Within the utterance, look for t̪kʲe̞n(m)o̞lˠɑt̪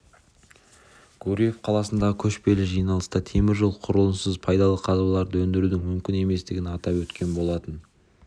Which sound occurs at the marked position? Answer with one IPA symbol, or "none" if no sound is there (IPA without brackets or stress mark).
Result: b